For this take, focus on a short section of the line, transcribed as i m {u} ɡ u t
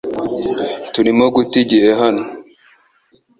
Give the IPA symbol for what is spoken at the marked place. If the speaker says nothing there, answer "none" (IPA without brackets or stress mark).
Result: o